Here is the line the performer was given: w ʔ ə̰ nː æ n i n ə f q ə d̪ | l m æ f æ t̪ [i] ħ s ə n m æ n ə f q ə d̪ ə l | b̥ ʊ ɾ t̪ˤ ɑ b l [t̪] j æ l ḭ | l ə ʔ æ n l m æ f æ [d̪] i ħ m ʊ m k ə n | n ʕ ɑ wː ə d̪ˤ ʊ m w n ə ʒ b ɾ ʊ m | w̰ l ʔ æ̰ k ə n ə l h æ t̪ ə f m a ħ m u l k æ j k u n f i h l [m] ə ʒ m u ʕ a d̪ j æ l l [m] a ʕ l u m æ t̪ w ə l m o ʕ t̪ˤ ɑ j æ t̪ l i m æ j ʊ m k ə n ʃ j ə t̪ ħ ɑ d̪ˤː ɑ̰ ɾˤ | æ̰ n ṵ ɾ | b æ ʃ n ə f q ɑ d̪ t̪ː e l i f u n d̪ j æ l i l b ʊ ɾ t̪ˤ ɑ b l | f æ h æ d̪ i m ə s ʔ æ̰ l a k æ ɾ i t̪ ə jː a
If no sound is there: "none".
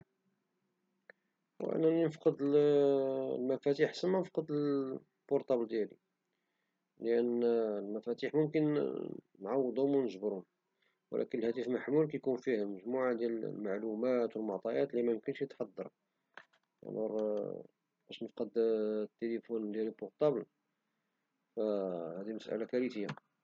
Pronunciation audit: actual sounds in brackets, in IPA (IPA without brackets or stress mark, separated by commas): i, d̪, t̪, m, m